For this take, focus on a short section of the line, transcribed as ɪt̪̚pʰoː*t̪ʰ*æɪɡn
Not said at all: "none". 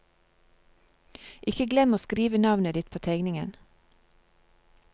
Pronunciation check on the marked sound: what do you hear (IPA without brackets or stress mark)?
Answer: t̪ʰ